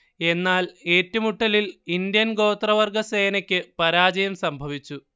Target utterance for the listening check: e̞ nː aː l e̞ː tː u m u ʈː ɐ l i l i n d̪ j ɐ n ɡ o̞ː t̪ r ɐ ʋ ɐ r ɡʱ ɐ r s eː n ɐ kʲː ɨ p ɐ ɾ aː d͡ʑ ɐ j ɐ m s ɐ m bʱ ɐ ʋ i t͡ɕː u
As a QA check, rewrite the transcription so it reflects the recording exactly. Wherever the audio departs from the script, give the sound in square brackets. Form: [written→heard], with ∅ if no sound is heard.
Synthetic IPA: e̞ nː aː l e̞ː tː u m u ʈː ɐ l i l i n d̪ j ɐ n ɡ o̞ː t̪ r ɐ ʋ ɐ r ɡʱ ɐ [r→∅] s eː n ɐ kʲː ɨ p ɐ ɾ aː d͡ʑ ɐ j ɐ m s ɐ m bʱ ɐ ʋ i t͡ɕː u

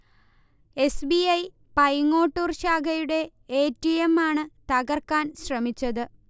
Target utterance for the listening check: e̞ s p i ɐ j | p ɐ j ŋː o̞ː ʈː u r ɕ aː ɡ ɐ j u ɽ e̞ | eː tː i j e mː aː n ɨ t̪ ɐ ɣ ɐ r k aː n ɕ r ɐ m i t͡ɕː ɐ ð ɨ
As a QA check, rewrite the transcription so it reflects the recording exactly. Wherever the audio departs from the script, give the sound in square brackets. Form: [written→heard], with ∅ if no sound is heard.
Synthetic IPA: e̞ s [p→b] i ɐ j | p ɐ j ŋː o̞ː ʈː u r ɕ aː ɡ ɐ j u ɽ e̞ | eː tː i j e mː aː [n→ɳ] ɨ t̪ ɐ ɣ ɐ r k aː n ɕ r ɐ m i t͡ɕː ɐ ð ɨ

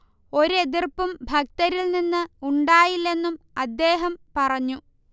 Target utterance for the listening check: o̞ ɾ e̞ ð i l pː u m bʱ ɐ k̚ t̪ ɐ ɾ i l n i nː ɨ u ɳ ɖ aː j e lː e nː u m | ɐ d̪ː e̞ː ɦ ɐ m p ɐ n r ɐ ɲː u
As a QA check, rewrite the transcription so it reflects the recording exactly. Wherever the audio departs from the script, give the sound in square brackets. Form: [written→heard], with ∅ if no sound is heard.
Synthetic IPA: o̞ ɾ e̞ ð i [l→r] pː u m bʱ ɐ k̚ t̪ ɐ ɾ i l n i nː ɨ u ɳ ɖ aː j [e→i] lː e nː u m | ɐ d̪ː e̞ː ɦ ɐ m p ɐ [n→∅] r ɐ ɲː u

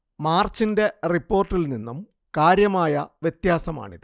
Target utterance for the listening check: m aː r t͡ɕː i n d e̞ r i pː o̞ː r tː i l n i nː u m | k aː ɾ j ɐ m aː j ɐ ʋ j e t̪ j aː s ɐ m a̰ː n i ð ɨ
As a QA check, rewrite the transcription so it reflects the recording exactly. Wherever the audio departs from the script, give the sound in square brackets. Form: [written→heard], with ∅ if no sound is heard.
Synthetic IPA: m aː r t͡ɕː i n d e̞ r i pː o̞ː r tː i l n i nː u m | k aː ɾ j ɐ m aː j ɐ ʋ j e t̪ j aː s ɐ m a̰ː [n→ɳ] i ð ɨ

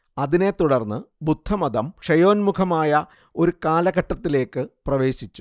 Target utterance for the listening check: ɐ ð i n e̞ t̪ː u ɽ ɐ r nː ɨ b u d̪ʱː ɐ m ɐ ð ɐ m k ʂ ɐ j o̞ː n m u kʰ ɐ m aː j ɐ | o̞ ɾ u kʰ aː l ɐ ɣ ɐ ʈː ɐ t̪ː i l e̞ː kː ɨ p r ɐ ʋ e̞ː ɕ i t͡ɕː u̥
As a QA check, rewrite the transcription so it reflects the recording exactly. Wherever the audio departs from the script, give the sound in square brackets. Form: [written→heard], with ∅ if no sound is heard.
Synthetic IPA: ɐ ð i n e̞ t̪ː u ɽ ɐ r nː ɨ b u d̪ʱː ɐ m ɐ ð ɐ m k ʂ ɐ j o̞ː n m u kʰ ɐ m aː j ɐ | o̞ ɾ u [kʰ→k] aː l ɐ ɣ ɐ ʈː ɐ t̪ː i l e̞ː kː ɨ p r ɐ ʋ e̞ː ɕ i t͡ɕː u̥

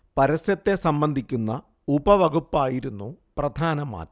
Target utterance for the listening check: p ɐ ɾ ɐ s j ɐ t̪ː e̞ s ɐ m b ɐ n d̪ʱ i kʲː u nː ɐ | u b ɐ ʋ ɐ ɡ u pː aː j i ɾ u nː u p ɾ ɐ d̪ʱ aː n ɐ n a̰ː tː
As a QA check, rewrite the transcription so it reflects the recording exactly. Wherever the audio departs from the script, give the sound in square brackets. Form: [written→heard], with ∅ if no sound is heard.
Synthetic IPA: p ɐ ɾ ɐ s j ɐ t̪ː e̞ s ɐ m b ɐ n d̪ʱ i kʲː u nː ɐ | u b ɐ ʋ ɐ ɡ u pː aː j i ɾ u nː u p [ɾ→r] ɐ d̪ʱ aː n ɐ [n→m] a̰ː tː

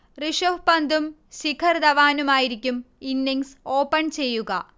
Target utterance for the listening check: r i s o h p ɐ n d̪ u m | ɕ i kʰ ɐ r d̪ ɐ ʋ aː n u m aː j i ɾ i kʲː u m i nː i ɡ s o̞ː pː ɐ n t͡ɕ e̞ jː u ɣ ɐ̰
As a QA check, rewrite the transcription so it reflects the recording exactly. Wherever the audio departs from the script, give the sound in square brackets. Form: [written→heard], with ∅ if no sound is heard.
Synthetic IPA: r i [s→ʂ] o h p ɐ n d̪ u m | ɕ i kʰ ɐ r d̪ ɐ ʋ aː n u m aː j i ɾ i kʲː u m i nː i [ɡ→ŋ] s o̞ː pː ɐ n t͡ɕ e̞ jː u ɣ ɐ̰

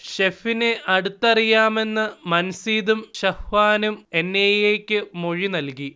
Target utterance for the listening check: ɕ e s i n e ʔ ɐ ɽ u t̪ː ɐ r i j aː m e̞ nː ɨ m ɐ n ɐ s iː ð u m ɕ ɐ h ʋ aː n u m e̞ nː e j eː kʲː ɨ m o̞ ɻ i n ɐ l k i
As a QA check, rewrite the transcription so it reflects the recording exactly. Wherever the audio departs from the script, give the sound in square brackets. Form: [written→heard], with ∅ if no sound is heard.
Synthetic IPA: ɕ e [s→f] i n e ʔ ɐ ɽ u t̪ː ɐ r i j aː m e̞ nː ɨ m ɐ n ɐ s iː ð u m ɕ ɐ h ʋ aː n u m e̞ nː e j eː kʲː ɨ m o̞ ɻ i n ɐ l k i

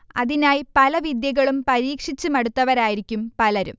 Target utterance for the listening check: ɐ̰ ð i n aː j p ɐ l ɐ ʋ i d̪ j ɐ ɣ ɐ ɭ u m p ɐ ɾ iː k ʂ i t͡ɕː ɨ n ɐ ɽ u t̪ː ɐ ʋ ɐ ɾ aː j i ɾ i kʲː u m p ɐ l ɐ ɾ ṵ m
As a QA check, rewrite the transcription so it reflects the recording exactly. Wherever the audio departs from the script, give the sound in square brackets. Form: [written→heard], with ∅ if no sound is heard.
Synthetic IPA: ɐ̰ ð i n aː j p ɐ l ɐ ʋ i d̪ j ɐ ɣ ɐ ɭ u m p ɐ ɾ iː k ʂ i t͡ɕː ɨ [n→m] ɐ ɽ u t̪ː ɐ ʋ ɐ ɾ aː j i ɾ i kʲː u m p ɐ l ɐ ɾ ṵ m

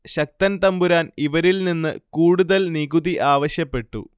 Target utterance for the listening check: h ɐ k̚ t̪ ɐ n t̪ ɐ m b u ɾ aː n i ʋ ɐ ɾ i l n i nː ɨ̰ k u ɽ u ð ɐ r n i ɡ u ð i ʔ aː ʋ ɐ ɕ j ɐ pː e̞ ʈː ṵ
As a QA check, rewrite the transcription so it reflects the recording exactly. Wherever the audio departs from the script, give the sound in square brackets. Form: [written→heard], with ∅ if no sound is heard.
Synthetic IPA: [h→ɕ] ɐ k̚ t̪ ɐ n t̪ ɐ m b u ɾ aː n i ʋ ɐ ɾ i l n i nː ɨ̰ k [u→uː] ɽ u ð ɐ [r→l] n i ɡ u ð i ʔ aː ʋ ɐ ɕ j ɐ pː e̞ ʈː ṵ

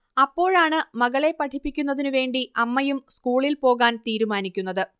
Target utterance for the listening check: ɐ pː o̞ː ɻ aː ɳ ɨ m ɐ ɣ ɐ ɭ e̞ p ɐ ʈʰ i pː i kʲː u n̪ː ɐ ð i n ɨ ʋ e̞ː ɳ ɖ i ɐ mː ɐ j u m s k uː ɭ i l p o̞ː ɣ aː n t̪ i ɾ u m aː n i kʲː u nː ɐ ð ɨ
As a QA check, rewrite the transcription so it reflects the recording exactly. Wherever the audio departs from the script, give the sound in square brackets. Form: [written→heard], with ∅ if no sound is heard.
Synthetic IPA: ɐ pː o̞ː ɻ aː ɳ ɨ m ɐ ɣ ɐ ɭ e̞ p ɐ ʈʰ i pː i kʲː u n̪ː ɐ ð i n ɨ ʋ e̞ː ɳ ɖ i ɐ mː ɐ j u m s k uː ɭ i l p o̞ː ɣ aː n t̪ [i→iː] ɾ u m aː n i kʲː u nː ɐ ð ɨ

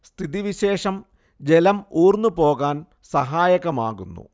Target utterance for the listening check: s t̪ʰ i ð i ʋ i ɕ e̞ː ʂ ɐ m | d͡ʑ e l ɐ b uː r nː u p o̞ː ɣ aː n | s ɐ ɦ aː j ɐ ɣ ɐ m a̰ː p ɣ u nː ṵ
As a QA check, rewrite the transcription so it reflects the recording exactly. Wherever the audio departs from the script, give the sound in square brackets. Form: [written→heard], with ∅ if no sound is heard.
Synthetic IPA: s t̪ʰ i ð i ʋ i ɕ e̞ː ʂ ɐ m | d͡ʑ e l ɐ [b→m] uː r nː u p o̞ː ɣ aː n | s ɐ ɦ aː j ɐ ɣ ɐ m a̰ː [p→∅] ɣ u nː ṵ

